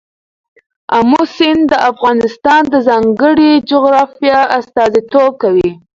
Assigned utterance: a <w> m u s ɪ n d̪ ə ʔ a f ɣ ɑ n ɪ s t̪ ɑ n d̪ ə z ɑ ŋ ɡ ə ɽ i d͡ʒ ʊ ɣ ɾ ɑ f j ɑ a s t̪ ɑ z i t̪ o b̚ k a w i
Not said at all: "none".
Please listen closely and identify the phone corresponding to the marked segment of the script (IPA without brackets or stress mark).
none